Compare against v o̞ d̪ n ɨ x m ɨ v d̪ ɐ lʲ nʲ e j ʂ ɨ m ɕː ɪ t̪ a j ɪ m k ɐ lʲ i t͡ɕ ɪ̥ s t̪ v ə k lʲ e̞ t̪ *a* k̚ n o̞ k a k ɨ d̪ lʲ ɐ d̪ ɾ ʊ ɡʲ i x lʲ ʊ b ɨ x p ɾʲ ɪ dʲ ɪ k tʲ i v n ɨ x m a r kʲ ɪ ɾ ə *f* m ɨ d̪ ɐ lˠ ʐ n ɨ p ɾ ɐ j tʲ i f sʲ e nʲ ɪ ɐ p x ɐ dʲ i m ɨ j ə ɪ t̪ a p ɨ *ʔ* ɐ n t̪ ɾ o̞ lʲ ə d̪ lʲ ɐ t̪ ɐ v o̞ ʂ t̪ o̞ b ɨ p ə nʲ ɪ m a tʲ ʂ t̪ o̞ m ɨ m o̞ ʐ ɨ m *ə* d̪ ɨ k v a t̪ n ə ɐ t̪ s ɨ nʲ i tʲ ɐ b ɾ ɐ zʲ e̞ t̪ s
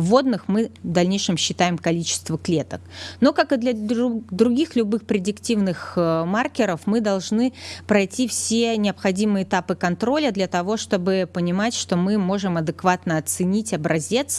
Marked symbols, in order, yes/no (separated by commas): no, yes, no, no